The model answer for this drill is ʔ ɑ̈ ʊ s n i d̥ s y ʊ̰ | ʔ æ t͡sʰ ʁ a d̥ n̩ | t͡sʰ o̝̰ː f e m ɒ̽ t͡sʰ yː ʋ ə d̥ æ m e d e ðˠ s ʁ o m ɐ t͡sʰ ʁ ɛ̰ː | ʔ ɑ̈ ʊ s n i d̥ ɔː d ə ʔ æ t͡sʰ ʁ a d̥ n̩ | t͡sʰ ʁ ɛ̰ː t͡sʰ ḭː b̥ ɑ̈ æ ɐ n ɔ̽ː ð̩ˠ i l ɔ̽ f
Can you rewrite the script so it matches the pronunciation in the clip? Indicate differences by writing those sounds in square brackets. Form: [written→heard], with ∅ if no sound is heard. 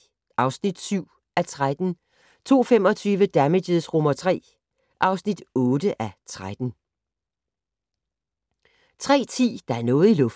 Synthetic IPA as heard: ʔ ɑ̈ ʊ s n i d̥ s y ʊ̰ | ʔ æ t͡sʰ ʁ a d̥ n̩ | t͡sʰ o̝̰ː f e m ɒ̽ t͡sʰ yː ʋ ə d̥ æ m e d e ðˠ s ʁ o m ɐ t͡sʰ ʁ ɛ̰ː | ʔ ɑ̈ ʊ s n i d̥ ɔː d ə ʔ æ t͡sʰ ʁ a d̥ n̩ | t͡sʰ ʁ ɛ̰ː t͡sʰ ḭː [b̥→d̥] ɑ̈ æ ɐ n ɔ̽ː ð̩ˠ i l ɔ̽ f

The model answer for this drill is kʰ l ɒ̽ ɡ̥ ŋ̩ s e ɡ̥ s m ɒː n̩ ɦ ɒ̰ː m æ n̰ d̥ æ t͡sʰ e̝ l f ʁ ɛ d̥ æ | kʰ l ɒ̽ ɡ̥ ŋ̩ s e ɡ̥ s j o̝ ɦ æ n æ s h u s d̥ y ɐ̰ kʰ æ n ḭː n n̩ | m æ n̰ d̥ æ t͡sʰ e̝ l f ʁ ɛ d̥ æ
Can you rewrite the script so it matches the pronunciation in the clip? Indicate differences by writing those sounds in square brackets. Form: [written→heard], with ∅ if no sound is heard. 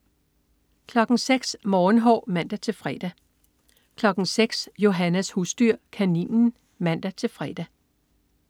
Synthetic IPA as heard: kʰ l ɒ̽ ɡ̥ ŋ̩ s e ɡ̥ s m ɒː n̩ ɦ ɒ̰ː m æ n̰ d̥ æ t͡sʰ e̝ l f ʁ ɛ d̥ æ | kʰ l ɒ̽ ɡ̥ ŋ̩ s e ɡ̥ s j o̝ ɦ æ n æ s h u s d̥ y ɐ̰ kʰ æ n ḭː n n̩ | m æ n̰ d̥ æ t͡sʰ e̝ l f ʁ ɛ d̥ æ

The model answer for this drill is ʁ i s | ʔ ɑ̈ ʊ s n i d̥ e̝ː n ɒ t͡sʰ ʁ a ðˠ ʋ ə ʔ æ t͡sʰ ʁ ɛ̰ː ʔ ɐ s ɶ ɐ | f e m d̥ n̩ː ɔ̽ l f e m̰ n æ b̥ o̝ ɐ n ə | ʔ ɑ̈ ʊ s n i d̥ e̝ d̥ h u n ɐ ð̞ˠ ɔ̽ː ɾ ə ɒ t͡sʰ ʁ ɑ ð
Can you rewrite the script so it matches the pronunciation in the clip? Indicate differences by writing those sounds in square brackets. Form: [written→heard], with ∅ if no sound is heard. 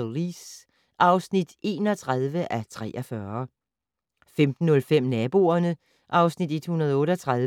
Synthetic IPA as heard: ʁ i s | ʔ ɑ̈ ʊ s n i d̥ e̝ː n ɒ t͡sʰ ʁ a ðˠ ʋ ə ʔ æ t͡sʰ ʁ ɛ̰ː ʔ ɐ [s→f] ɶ ɐ | f e m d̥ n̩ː ɔ̽ l f e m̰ n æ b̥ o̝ ɐ n ə | ʔ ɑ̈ ʊ s n i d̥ e̝ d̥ h u n ɐ ð̞ˠ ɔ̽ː ɾ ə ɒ t͡sʰ ʁ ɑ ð

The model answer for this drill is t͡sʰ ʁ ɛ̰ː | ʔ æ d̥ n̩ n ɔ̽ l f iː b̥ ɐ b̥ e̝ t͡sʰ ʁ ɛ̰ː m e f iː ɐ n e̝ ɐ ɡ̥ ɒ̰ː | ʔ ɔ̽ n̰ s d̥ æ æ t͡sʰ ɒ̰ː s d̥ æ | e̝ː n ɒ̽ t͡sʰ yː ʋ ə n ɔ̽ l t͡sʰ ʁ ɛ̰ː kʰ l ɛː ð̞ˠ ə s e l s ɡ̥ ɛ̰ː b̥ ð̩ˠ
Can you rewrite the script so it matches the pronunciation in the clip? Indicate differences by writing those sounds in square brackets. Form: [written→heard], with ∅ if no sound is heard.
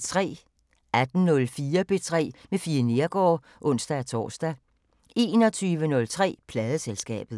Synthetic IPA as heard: t͡sʰ ʁ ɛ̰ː | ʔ æ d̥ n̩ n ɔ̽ l f iː [b̥→∅] ɐ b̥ e̝ t͡sʰ ʁ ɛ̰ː m e f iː ɐ n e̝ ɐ ɡ̥ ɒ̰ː | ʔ ɔ̽ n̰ s d̥ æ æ t͡sʰ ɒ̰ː s d̥ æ | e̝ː n ɒ̽ t͡sʰ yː ʋ ə n ɔ̽ l t͡sʰ ʁ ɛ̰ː [kʰ→pʰ] l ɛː ð̞ˠ ə s e l s ɡ̥ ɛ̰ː b̥ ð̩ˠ

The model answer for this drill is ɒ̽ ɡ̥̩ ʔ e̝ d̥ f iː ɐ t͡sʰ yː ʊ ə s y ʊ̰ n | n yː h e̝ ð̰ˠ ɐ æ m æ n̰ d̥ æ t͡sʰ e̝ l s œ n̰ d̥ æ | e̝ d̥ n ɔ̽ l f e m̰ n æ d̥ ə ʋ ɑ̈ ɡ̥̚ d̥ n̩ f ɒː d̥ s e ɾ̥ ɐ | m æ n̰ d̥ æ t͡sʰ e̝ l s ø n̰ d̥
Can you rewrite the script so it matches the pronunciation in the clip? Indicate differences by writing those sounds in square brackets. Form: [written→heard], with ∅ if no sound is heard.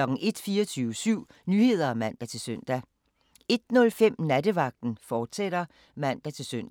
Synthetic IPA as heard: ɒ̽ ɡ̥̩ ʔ e̝ d̥ f iː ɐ t͡sʰ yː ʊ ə s y ʊ̰ [n→∅] | n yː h e̝ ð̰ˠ ɐ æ m æ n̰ d̥ æ t͡sʰ e̝ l s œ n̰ d̥ æ | e̝ d̥ n ɔ̽ l f e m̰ n æ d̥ ə ʋ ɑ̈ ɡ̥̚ d̥ n̩ f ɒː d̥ s e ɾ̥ ɐ | m æ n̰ d̥ æ t͡sʰ e̝ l s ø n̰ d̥

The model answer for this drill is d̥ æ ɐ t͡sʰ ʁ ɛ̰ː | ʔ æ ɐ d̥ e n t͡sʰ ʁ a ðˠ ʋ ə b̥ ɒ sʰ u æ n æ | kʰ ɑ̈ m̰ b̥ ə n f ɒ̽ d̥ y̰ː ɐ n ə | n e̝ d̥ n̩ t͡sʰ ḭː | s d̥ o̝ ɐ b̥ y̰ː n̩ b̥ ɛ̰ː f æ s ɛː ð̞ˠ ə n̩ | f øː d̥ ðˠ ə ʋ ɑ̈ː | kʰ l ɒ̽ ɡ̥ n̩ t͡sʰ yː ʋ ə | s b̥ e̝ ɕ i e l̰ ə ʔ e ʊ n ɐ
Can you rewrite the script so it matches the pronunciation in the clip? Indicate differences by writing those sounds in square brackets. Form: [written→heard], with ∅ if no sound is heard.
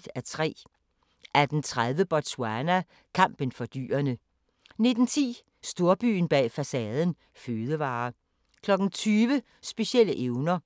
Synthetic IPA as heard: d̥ æ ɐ t͡sʰ ʁ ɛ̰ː | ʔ æ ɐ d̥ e n t͡sʰ ʁ a ðˠ ʋ ə b̥ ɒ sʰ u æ n æ | kʰ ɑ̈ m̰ b̥ ə n f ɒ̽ d̥ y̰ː ɐ n ə | n e̝ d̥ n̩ t͡sʰ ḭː | s d̥ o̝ ɐ b̥ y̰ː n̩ b̥ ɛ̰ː f æ s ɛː ð̞ˠ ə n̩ | f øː [d̥→∅] ðˠ ə ʋ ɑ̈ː | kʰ l ɒ̽ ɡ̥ n̩ t͡sʰ yː ʋ ə | s b̥ e̝ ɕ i e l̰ ə ʔ e ʊ n ɐ

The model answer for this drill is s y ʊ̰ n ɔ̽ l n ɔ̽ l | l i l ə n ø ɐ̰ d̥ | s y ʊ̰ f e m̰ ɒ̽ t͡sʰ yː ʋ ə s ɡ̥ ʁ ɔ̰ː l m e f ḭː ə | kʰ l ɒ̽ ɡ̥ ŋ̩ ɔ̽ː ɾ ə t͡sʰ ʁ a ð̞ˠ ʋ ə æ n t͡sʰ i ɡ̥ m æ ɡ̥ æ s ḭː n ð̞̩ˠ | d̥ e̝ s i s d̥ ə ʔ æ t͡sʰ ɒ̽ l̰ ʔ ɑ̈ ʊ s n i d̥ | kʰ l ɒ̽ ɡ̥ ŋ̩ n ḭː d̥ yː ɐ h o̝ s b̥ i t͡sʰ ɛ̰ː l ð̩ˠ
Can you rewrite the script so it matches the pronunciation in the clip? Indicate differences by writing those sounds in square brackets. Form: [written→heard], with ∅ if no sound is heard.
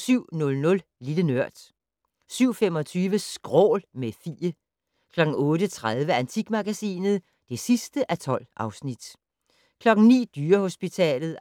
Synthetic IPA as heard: s y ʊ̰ n ɔ̽ l n ɔ̽ l | l i l ə n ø ɐ̰ d̥ | s y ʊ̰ f e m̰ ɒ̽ t͡sʰ yː ʋ ə s ɡ̥ ʁ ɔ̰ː l m e f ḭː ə | kʰ l ɒ̽ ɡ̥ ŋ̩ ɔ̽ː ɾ ə t͡sʰ ʁ a ð̞ˠ ʋ ə æ n t͡sʰ i ɡ̥ m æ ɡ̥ æ s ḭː n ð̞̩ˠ | d̥ e̝ s i s d̥ ə ʔ æ t͡sʰ ɒ̽ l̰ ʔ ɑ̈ ʊ s n i d̥ | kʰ l ɒ̽ ɡ̥ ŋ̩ n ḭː d̥ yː ɐ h o̝ s b̥ i t͡sʰ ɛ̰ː l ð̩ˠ

